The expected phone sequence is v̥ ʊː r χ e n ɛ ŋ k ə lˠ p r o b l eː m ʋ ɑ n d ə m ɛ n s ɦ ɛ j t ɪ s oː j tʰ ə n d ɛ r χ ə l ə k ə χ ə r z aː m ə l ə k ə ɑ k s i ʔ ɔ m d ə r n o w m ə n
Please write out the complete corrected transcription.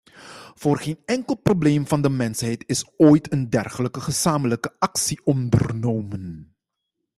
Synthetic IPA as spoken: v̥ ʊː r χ e n ɛ ŋ k ə lˠ p r o b l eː m v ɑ n d ə m ɛ n s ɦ ɛ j t ɪ s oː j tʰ ə n d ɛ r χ ə l ə k ə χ ə z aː m ə l ə k ə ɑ k s i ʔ ɔ n d ə r n o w m ə n